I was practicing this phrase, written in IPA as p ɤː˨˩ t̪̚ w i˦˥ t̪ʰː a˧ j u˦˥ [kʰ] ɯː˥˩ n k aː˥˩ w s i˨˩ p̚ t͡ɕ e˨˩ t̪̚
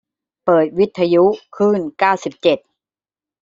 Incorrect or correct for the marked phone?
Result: correct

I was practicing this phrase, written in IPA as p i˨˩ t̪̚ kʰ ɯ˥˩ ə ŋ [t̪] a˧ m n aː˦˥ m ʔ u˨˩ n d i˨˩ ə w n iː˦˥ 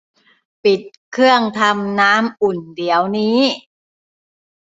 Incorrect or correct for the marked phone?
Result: incorrect: t̪ʰ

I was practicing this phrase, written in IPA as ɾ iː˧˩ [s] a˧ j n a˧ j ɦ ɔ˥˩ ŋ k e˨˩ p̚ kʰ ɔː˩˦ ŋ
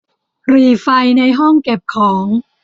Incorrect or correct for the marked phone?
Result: incorrect: f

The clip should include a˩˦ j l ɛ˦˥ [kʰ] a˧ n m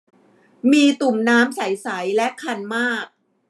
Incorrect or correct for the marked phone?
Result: correct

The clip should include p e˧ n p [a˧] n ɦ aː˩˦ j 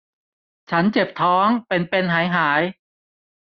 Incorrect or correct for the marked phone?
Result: incorrect: e˧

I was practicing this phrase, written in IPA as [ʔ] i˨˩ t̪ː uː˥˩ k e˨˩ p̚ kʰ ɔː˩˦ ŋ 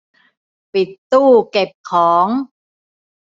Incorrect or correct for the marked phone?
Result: incorrect: p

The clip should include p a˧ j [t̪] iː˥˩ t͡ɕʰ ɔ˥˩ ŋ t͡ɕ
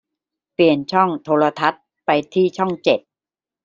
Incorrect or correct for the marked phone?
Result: incorrect: t̪ʰ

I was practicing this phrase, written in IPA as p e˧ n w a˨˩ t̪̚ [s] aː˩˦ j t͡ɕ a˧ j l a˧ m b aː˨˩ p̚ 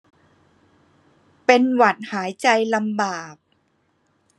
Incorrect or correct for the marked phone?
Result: incorrect: h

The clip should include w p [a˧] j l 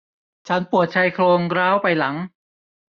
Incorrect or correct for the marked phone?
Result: correct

